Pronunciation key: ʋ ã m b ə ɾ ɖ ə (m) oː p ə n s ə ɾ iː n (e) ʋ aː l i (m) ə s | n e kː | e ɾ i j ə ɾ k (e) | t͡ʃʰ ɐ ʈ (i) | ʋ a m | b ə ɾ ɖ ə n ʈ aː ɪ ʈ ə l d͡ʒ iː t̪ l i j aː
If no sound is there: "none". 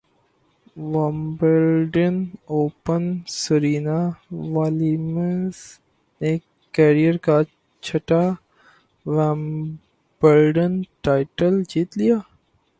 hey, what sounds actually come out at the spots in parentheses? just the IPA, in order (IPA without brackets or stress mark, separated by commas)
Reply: n, a, m, a, a